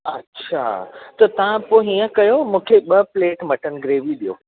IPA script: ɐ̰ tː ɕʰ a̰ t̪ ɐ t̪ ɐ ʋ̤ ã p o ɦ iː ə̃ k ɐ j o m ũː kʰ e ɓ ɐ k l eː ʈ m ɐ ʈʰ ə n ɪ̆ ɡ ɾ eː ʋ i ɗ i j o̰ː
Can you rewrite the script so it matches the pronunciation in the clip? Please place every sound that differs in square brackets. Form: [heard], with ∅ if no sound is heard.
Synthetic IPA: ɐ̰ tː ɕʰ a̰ t̪ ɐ t̪ ɐ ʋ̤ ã p o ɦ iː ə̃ k ɐ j o m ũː kʰ e ɓ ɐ [p] l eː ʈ m ɐ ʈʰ ə n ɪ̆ ɡ ɾ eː ʋ i ɗ i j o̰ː